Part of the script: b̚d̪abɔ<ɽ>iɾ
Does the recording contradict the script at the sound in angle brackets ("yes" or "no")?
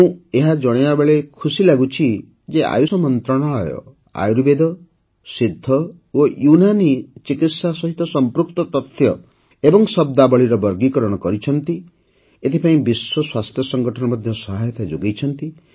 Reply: yes